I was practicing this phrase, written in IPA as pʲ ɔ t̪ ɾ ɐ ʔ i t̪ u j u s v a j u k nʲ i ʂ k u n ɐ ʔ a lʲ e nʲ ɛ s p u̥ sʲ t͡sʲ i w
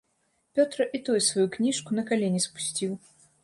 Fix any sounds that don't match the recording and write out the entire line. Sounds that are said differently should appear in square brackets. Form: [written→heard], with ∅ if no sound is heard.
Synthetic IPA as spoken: pʲ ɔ t̪ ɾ ɐ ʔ i t̪ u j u s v a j u k nʲ i ʂ k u n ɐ [ʔ→k] a lʲ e nʲ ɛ s p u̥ sʲ t͡sʲ i w